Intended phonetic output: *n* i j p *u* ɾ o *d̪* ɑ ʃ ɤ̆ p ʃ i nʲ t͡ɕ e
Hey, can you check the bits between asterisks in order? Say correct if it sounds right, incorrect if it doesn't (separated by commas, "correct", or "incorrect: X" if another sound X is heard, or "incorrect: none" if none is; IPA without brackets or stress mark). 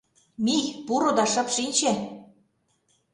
incorrect: m, correct, correct